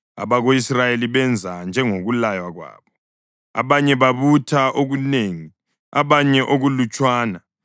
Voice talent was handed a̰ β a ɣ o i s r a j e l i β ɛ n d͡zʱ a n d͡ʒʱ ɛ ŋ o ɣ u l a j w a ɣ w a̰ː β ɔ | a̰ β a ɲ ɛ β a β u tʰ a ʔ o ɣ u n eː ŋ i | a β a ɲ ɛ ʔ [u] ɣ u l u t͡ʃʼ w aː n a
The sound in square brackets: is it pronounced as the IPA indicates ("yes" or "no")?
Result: no